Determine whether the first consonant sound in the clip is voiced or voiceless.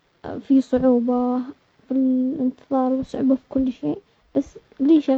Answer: voiceless